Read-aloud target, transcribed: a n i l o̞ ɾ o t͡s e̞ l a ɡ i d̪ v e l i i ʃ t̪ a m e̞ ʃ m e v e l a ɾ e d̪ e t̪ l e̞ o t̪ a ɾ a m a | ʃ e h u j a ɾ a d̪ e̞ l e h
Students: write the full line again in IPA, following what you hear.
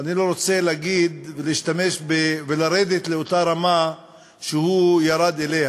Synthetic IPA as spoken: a n i l o̞ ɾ o t͡s e̞ l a ɡ i d̪ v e l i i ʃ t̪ a m e̞ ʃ b e v e l a ɾ e d̪ e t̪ l e̞ o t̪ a ɾ a m a | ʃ e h u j a ɾ a d̪ e̞ l e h